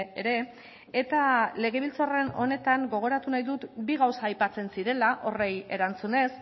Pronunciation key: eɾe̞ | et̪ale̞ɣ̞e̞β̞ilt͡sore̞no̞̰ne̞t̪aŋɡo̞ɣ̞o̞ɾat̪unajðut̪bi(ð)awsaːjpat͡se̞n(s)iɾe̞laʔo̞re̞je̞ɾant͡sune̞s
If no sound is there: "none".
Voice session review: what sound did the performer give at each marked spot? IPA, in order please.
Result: ɣ, s

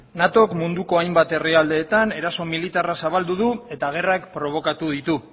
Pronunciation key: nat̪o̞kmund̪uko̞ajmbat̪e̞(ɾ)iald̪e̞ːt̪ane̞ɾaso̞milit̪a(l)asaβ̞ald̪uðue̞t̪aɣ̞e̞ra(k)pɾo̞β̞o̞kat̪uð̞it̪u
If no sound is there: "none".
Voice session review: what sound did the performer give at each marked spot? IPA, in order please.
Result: r, r, k

